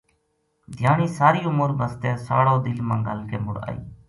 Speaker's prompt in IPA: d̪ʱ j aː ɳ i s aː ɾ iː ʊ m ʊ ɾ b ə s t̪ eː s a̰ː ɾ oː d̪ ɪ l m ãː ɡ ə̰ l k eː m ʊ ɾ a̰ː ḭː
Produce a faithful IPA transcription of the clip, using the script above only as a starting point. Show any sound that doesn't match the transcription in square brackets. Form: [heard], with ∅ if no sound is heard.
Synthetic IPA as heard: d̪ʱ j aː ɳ [iː] s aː ɾ iː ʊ m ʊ ɾ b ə s t̪ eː s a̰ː [ɽ] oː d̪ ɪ l m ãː ɡ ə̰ l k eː m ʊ ɾ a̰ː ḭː